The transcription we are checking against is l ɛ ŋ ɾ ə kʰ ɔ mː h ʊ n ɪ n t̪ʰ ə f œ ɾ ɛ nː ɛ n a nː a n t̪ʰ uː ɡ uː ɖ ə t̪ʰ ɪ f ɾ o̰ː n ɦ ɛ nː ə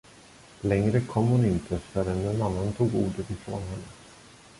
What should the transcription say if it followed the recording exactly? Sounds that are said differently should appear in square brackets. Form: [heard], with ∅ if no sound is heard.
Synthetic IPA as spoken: l ɛ ŋ ɾ ə kʰ ɔ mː h ʊ n ɪ n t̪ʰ ə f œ ɾ ɛ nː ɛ n a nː a n t̪ʰ uː ɡ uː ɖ ə [t̪] ɪ f ɾ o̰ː n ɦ ɛ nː ə